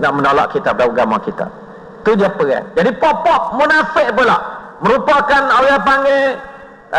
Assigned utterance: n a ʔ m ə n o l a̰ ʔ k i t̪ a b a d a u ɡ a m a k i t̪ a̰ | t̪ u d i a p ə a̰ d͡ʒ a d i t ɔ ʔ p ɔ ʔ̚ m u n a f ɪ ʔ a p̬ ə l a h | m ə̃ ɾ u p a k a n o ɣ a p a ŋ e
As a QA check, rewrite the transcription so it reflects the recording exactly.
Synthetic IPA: n a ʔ m ə n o l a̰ ʔ k i t̪ a p a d a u ɡ a m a k i t̪ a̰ | t̪ u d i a p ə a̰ d͡ʒ a d i p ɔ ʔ p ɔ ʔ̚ m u n a f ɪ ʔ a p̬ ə l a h | m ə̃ ɾ u p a k a n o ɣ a p a ŋ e

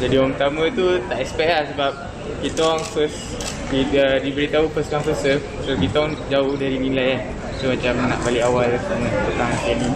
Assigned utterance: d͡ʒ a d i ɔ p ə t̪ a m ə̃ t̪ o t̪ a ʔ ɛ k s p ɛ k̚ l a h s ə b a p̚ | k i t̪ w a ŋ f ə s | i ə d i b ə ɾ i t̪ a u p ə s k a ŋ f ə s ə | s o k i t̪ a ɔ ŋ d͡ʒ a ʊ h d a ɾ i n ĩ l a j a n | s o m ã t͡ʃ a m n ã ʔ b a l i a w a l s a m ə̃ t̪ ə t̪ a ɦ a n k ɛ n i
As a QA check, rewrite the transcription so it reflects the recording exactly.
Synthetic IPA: d͡ʒ a d i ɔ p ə t̪ a m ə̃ t̪ u t̪ a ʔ ɛ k s p ɛ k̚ l a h s ə b a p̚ | k i t̪ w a ŋ f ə s | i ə d i b ə ɾ i t̪ a u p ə s k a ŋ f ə s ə | s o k i t̪ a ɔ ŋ d͡ʒ a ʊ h d a ɾ i n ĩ l a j a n | s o m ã t͡ʃ a m n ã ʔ b a l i a w a l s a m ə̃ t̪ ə t̪ a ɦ a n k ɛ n i

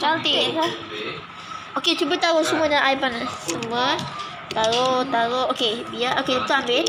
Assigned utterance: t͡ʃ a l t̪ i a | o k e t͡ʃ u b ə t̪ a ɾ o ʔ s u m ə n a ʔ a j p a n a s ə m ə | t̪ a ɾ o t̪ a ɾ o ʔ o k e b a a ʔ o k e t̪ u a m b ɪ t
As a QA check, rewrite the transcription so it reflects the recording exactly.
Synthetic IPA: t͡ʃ a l t̪ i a | o k e t͡ʃ u b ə t̪ a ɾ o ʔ s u m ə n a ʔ a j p a n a s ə m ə | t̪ a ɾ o t̪ a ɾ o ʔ o k e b i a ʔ o k e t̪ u a m b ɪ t

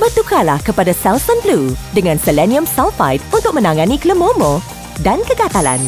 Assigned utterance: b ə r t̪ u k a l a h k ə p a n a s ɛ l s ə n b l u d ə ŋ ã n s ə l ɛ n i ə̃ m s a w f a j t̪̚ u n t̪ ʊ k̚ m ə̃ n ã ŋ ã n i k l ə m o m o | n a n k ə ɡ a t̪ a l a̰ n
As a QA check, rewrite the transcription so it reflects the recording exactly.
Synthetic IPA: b ə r t̪ u k a l a h k ə p a d a s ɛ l s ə n b l u d ə ŋ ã n s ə l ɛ n i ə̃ m s a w f a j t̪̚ u n t̪ ʊ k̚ m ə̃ n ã ŋ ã n i k l ə m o m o | d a n k ə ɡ a t̪ a l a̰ n

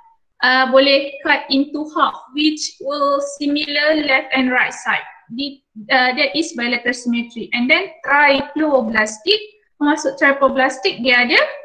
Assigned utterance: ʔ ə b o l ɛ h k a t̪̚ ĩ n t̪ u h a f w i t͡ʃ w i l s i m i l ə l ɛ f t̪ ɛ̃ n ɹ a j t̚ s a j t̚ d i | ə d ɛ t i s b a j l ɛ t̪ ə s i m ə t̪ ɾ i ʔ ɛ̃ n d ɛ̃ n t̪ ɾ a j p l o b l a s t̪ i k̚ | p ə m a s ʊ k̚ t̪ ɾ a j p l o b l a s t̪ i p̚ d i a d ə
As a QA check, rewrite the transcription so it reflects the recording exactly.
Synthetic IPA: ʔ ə b o l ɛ h k a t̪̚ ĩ n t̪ u h a f w i t͡ʃ w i l s i m i l ə l ɛ f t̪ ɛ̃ n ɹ a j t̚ s a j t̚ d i | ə d ɛ t i s b a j l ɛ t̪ ə s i m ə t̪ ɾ i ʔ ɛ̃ n d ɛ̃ n t̪ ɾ a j p l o b l a s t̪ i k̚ | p ə m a s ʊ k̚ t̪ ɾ a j p l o b l a s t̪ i k̚ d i a d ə

